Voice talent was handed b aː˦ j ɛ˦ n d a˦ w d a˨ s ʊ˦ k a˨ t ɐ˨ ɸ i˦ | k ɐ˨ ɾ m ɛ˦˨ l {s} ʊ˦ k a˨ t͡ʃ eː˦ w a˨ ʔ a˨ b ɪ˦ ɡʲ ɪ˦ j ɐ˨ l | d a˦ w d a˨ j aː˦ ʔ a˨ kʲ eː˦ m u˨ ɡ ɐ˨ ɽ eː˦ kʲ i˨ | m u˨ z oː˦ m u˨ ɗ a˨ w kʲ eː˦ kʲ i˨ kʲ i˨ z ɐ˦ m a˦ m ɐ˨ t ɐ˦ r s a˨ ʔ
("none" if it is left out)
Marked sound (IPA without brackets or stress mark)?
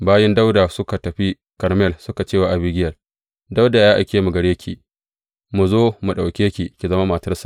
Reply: s